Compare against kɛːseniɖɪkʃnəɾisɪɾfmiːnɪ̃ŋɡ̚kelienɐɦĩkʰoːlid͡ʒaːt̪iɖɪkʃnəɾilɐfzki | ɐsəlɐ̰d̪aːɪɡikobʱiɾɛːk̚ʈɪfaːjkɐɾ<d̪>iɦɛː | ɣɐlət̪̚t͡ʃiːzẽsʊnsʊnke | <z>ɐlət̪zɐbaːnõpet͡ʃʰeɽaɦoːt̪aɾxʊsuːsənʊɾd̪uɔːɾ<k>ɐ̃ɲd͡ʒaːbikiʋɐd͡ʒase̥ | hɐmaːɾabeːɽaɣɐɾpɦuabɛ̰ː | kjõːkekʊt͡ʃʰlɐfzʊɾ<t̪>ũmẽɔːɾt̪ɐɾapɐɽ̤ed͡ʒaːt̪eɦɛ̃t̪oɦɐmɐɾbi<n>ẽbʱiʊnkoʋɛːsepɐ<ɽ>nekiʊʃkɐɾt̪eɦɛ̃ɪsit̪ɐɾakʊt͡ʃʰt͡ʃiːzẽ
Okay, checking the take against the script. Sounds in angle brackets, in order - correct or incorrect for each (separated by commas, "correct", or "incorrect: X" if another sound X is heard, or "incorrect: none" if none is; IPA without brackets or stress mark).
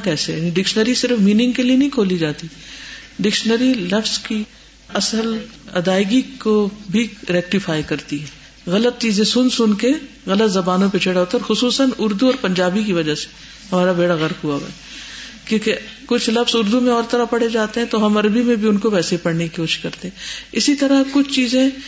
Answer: incorrect: t̪, incorrect: ɣ, incorrect: p, incorrect: d̪, incorrect: m, correct